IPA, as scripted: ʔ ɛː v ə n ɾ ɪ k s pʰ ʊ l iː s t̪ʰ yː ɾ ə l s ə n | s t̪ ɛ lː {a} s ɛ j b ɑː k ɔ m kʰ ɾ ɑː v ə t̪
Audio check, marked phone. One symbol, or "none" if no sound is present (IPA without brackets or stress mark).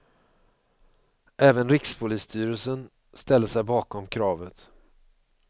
ə